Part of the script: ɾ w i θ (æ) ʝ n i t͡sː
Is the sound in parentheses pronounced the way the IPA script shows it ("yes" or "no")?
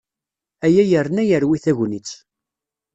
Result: yes